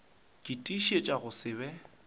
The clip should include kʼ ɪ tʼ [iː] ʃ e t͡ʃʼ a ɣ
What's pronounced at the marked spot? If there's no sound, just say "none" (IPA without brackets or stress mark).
i